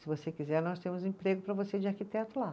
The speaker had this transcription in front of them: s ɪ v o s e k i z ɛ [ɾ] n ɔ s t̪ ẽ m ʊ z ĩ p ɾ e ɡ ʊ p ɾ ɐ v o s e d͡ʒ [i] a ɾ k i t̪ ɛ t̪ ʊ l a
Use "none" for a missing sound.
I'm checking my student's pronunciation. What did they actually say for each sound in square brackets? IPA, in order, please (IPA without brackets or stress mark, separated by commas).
ɾ, ɪ